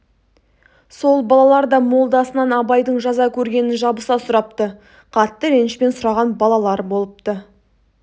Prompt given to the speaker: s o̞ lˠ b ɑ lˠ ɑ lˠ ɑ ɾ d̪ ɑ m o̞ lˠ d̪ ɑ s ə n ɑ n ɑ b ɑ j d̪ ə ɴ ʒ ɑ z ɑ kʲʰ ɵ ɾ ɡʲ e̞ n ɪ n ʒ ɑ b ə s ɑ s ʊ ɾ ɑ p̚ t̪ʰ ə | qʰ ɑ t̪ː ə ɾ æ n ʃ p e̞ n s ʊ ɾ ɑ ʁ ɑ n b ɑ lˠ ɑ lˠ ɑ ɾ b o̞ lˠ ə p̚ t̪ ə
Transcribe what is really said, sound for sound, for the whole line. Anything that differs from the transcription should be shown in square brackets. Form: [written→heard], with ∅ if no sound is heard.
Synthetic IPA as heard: s o̞ lˠ b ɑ lˠ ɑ lˠ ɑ ɾ d̪ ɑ m o̞ lˠ d̪ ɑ s ə n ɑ n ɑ b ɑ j d̪ ə ɴ ʒ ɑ z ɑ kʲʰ ɵ ɾ ɡʲ e̞ n ɪ n ʒ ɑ b ə s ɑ s ʊ ɾ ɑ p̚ [t̪ʰ→t̪] ə | qʰ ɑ t̪ː ə ɾ [æ→e] n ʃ p e̞ n s ʊ ɾ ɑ ʁ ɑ n b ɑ lˠ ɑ lˠ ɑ ɾ b o̞ lˠ ə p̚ t̪ ə